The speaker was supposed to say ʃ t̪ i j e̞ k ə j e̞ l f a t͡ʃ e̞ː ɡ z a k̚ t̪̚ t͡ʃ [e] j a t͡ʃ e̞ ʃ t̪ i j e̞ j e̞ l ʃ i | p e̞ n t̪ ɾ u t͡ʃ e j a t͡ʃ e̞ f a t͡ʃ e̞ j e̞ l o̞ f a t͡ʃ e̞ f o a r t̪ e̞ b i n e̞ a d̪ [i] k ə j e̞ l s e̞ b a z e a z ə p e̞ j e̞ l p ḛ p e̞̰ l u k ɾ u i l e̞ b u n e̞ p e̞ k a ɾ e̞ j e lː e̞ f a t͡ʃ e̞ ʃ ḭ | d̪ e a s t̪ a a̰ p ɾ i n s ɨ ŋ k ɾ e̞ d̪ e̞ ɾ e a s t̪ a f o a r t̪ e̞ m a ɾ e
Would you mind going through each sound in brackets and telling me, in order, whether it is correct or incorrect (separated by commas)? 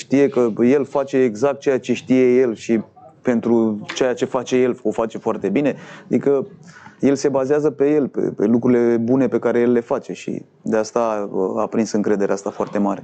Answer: correct, correct